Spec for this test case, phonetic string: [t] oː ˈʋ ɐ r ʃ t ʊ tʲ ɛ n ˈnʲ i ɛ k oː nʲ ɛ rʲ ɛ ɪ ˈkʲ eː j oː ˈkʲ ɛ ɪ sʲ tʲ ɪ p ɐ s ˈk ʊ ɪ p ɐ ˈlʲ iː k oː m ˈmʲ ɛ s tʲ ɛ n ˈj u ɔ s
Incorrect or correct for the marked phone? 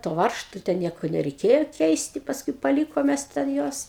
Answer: correct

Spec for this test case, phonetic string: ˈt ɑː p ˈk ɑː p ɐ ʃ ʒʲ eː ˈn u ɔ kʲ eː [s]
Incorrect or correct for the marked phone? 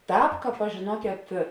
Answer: incorrect: t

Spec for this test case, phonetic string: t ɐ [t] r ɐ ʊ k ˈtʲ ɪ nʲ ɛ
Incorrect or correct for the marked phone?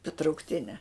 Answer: correct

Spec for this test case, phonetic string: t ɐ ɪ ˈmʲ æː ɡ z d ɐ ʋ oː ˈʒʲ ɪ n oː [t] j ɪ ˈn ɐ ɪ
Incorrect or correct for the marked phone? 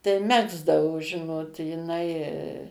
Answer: correct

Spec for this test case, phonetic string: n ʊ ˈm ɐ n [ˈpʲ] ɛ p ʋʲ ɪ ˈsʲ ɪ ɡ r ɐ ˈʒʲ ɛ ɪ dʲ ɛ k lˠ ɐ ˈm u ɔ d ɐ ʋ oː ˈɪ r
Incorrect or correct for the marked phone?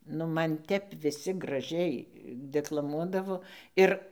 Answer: incorrect: tʲ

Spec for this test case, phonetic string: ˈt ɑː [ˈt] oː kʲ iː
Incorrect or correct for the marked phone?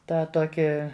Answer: correct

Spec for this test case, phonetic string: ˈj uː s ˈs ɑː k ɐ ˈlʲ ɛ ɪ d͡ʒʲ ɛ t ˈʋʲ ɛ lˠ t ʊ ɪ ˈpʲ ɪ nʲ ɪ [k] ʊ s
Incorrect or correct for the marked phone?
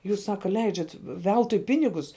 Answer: incorrect: ɡ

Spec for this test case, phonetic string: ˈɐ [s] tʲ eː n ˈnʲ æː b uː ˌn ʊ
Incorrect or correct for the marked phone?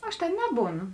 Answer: incorrect: ʃ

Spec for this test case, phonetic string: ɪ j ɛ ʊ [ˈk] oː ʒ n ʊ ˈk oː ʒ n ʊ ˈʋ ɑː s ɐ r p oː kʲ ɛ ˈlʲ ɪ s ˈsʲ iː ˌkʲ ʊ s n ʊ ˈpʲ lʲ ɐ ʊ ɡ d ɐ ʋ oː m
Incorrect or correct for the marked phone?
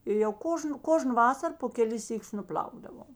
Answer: correct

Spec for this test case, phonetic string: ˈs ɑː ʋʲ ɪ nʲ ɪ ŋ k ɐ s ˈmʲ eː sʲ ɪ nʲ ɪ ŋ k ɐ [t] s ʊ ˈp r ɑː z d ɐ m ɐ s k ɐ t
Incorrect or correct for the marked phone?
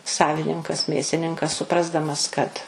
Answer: incorrect: s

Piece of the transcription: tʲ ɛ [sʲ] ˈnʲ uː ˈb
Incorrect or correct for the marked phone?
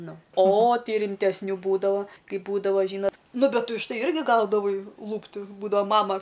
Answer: correct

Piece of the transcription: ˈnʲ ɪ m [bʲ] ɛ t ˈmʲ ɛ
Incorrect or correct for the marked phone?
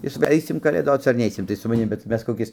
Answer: correct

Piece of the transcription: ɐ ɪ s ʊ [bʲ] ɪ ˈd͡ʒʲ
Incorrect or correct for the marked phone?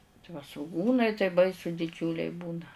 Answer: incorrect: dʲ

